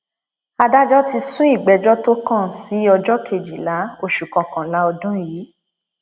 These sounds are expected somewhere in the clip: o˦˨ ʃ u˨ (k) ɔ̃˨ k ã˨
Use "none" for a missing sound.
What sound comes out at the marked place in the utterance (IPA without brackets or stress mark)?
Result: k